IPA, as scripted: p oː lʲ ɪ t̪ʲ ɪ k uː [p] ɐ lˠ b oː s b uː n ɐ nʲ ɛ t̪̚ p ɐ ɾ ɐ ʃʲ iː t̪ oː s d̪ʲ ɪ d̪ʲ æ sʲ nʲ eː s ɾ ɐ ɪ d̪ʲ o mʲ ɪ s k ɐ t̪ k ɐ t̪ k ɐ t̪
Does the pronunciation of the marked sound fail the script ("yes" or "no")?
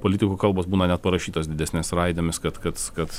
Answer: yes